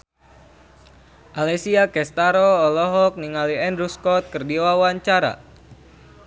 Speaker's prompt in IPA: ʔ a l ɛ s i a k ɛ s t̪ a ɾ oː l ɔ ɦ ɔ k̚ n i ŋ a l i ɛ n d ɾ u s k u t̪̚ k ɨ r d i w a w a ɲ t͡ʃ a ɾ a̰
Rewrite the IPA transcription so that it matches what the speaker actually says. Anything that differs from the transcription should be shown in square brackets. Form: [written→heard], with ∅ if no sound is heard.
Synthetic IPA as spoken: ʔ a l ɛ s i a k ɛ s t̪ a ɾ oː l ɔ ɦ ɔ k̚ n i ŋ a l i ɛ n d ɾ u s k [u→ɔ] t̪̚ k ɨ r d i w a w a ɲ t͡ʃ a ɾ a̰